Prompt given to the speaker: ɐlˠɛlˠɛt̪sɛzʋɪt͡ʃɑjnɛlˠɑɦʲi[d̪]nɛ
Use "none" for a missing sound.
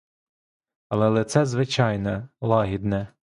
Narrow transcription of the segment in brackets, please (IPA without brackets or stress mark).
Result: d̪